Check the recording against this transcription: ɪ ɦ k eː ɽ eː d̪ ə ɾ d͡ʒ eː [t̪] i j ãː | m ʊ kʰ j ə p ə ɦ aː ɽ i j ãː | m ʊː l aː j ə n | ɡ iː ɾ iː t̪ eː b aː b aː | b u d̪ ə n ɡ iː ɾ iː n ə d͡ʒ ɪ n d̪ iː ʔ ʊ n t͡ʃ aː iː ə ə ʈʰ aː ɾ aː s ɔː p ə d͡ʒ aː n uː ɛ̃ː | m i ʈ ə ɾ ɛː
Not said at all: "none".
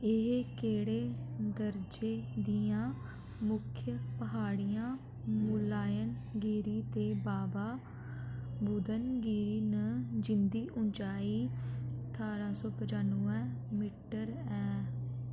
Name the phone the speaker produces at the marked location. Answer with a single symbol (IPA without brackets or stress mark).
d̪